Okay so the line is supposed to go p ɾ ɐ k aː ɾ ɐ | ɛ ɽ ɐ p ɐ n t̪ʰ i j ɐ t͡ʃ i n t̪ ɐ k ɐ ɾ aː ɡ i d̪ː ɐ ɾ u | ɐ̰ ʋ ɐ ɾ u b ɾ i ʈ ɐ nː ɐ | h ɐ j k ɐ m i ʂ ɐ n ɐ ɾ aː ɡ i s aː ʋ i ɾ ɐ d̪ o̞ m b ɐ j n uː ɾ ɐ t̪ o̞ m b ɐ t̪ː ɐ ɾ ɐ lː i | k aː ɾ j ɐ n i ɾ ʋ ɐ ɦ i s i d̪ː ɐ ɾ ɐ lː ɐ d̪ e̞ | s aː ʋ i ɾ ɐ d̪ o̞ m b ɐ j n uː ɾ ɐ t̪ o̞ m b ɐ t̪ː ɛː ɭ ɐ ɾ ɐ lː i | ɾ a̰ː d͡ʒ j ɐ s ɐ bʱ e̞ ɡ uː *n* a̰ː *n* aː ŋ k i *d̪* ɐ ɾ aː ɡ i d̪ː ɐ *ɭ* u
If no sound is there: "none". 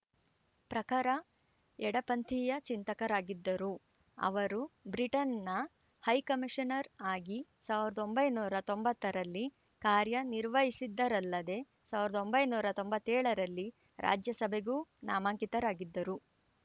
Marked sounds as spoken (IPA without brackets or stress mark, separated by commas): n, m, t̪, ɾ